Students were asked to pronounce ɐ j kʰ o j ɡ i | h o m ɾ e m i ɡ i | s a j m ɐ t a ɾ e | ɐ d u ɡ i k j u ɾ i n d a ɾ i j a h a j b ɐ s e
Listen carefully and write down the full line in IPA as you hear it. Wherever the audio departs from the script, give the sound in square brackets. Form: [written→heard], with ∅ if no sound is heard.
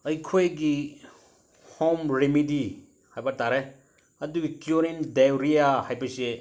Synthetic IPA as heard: ɐ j kʰ o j ɡ i | h o m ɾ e m i [ɡ→d] i | [s→h] a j [m→b] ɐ t a ɾ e | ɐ d u ɡ i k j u ɾ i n d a ɾ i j a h a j b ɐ s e